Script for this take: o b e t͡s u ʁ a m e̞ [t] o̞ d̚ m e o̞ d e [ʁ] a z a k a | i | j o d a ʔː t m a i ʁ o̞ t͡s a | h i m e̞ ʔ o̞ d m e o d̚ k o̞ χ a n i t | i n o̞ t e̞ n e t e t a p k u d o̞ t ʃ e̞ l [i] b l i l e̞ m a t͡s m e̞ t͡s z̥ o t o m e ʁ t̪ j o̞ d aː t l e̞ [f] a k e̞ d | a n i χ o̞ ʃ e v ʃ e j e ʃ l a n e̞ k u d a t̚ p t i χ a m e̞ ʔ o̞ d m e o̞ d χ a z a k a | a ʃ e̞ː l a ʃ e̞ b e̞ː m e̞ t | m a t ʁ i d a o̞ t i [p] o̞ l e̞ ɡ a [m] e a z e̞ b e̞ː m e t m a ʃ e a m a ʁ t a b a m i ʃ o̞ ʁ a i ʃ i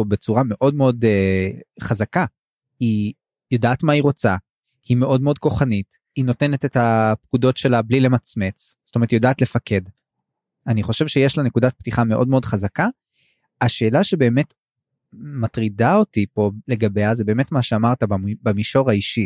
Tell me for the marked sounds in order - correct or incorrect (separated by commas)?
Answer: incorrect, incorrect, incorrect, correct, correct, incorrect